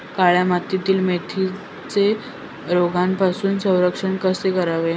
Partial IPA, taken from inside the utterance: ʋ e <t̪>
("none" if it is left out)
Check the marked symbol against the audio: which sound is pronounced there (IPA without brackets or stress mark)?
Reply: none